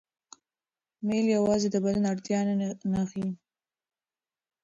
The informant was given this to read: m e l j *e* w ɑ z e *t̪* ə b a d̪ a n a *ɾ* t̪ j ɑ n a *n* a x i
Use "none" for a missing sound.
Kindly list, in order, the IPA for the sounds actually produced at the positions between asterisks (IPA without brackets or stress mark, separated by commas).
a, d̪, ɽ, n